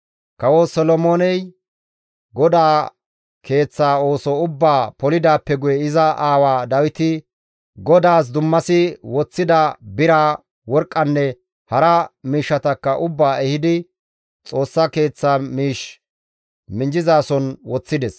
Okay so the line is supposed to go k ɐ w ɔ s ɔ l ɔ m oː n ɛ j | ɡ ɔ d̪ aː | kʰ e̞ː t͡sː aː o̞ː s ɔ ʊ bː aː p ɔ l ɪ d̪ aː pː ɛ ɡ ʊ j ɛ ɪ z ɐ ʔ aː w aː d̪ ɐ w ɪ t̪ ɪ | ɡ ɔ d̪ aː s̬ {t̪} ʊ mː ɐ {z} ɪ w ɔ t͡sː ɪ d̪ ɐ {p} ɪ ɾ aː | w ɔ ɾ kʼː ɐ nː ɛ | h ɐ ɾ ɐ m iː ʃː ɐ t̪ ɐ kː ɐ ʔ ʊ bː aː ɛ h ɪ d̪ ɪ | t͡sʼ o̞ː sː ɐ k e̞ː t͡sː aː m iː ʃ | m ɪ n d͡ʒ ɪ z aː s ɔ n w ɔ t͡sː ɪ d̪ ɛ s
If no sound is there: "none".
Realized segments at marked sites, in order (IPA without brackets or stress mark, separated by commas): d̪, s, b